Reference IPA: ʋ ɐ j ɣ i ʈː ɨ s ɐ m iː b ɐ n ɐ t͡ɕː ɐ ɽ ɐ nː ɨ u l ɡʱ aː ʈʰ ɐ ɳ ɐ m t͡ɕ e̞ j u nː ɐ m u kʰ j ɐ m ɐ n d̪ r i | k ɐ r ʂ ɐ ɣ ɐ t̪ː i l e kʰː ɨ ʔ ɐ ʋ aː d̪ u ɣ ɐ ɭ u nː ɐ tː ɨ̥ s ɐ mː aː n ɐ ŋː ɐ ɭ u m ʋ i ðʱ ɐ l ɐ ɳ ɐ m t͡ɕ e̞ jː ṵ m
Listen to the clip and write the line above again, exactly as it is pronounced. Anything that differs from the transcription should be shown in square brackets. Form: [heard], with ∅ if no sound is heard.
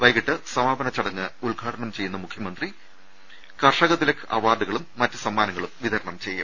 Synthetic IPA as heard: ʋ ɐ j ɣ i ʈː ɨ s ɐ m [aː] b ɐ n ɐ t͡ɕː ɐ ɽ ɐ [ŋː] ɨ u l ɡʱ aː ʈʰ ɐ ɳ ɐ m t͡ɕ e̞ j u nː ɐ m u kʰ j ɐ m ɐ n d̪ r i | k ɐ r ʂ ɐ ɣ ɐ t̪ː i l e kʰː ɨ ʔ ɐ ʋ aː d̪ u ɣ ɐ ɭ u [mː] ɐ tː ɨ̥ s ɐ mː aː n ɐ ŋː ɐ ɭ u m ʋ i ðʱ ɐ [ɾ] ɐ ɳ ɐ m t͡ɕ e̞ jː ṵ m